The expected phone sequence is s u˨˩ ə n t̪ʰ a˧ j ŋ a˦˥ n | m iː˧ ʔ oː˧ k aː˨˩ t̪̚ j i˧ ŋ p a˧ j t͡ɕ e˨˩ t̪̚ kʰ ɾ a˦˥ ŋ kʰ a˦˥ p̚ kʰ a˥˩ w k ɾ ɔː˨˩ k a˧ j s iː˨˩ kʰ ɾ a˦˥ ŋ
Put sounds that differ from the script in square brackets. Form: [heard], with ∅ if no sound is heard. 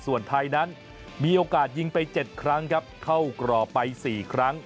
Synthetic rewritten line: s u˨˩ ə n t̪ʰ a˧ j [n] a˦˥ n | m iː˧ ʔ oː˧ k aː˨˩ t̪̚ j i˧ ŋ p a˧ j t͡ɕ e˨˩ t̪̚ kʰ ɾ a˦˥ ŋ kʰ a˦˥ p̚ kʰ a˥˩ w k ɾ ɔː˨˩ [p] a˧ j s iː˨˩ kʰ ɾ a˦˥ ŋ